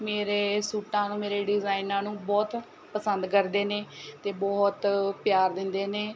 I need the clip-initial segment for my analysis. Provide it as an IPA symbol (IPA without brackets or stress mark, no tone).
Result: m